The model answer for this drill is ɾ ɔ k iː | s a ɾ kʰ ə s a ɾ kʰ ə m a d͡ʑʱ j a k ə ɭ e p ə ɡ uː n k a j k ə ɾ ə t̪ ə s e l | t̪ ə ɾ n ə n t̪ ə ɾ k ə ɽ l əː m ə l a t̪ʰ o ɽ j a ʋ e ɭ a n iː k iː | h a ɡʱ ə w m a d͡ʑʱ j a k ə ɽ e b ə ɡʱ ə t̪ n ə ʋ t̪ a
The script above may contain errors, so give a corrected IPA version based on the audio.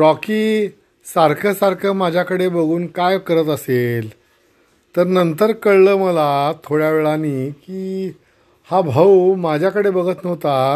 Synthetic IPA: ɾ ɔ k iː | s a ɾ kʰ ə s a ɾ kʰ ə m a d͡ʑʱ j a k ə ɽ e b ə ɡ uː n k a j k ə ɾ ə t̪ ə s e l | t̪ ə ɾ n ə n t̪ ə ɾ k ə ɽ l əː m ə l a t̪ʰ o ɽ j a ʋ e ɭ a n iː k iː | h a bʱ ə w m a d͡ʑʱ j a k ə ɽ e b ə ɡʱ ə t̪ n ə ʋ t̪ a